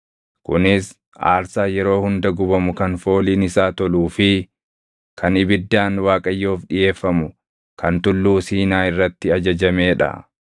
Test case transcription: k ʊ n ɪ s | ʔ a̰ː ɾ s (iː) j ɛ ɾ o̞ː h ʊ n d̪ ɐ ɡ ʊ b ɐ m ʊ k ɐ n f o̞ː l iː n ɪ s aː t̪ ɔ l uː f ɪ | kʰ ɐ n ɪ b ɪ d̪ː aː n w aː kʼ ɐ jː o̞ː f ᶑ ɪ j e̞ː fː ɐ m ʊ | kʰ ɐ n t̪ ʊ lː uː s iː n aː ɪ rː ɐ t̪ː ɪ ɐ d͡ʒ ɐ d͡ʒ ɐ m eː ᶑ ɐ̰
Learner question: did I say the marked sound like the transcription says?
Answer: no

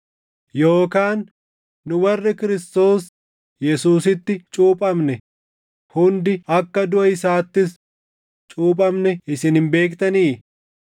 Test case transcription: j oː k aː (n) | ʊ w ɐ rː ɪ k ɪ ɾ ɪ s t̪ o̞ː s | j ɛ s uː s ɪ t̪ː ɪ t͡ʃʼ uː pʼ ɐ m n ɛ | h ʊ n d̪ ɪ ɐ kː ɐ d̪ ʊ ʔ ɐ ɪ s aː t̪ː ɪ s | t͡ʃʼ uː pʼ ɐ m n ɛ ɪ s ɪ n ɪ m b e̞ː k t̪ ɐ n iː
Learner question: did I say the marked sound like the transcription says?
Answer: no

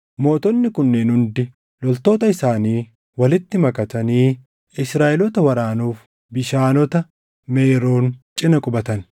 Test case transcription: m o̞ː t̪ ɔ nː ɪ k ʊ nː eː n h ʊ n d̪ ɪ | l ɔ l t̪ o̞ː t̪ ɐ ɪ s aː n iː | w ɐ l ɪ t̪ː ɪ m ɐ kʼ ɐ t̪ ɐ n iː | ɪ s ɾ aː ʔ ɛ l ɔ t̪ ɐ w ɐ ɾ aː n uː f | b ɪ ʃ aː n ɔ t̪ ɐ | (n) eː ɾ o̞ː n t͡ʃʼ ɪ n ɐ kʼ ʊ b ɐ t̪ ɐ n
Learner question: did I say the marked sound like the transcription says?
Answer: no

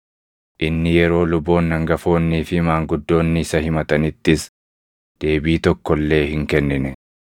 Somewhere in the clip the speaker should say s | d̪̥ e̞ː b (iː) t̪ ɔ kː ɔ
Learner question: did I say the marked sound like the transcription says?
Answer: yes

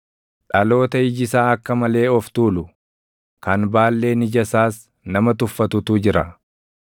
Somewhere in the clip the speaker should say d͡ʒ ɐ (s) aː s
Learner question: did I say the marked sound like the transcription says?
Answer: yes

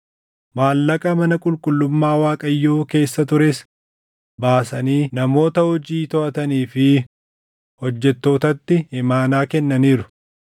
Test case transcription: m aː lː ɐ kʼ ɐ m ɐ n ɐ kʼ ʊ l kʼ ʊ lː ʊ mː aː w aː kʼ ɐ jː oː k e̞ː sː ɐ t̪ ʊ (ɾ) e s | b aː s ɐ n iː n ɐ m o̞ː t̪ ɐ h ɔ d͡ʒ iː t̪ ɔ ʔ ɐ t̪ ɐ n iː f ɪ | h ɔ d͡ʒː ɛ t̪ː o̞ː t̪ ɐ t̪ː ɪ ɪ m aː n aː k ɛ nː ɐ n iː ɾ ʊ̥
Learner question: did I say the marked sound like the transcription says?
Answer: yes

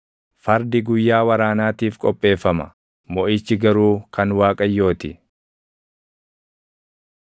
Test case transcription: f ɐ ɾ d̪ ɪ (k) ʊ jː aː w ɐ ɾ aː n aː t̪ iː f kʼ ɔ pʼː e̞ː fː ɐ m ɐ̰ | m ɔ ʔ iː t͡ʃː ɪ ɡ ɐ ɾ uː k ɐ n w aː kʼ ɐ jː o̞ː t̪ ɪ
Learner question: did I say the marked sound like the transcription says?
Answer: no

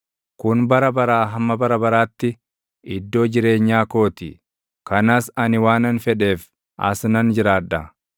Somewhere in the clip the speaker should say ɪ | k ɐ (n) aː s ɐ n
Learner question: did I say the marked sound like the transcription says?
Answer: yes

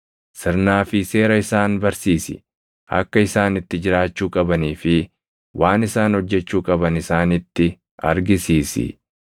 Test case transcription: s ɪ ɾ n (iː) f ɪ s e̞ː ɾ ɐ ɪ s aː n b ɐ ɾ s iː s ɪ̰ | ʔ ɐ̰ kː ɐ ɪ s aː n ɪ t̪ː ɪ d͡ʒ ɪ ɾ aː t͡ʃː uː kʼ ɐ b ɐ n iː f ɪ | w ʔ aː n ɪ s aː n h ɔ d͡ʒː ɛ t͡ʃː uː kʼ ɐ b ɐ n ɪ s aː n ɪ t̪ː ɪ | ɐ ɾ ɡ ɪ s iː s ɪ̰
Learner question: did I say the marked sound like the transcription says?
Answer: no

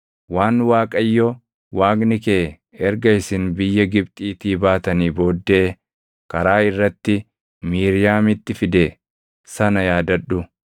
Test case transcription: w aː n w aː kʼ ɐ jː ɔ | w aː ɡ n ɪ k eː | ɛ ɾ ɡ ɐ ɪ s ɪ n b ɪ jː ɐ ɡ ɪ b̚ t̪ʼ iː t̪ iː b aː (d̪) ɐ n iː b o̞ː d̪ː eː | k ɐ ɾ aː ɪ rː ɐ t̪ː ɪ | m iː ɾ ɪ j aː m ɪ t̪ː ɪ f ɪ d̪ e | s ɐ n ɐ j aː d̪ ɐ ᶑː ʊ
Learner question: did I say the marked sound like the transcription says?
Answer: no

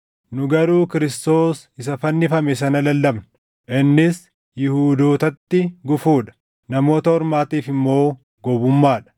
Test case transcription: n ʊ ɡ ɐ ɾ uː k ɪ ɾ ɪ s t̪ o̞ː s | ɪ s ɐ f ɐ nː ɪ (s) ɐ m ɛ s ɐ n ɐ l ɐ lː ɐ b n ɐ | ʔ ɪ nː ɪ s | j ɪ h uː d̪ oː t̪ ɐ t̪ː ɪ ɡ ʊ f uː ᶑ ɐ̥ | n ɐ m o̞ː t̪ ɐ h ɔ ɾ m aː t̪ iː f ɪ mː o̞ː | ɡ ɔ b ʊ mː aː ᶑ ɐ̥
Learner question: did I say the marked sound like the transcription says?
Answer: no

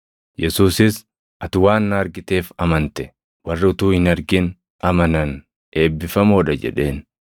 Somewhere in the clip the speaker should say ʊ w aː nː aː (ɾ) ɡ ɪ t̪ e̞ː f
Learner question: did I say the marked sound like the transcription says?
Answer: yes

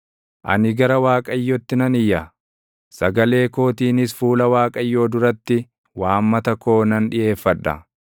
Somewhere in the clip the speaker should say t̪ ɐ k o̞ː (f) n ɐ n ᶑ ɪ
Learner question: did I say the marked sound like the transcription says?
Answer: no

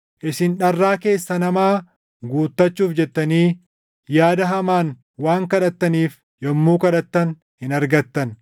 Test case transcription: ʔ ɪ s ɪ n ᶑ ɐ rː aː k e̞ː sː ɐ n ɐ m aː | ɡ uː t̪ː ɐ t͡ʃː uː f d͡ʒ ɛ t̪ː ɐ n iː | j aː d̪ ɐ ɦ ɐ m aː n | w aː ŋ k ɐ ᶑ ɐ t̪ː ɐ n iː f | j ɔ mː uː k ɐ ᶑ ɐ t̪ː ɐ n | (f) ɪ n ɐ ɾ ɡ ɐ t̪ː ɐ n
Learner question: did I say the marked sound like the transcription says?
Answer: no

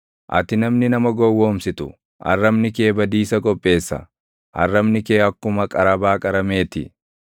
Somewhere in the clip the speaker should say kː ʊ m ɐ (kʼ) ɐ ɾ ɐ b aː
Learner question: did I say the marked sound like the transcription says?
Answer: yes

